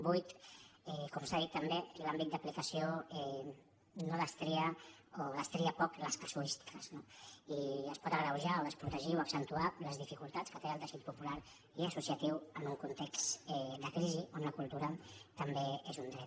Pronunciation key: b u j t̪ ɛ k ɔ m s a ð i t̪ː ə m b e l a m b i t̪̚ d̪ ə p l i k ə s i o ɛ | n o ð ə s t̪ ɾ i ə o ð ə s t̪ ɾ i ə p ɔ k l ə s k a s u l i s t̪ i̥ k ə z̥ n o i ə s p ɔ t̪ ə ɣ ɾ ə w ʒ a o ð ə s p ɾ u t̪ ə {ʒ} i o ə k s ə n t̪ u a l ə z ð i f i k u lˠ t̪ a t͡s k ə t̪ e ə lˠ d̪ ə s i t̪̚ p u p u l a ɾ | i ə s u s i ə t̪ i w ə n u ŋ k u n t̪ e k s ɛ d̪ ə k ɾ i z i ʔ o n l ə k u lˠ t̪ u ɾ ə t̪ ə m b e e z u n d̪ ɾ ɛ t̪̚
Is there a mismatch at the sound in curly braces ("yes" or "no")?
no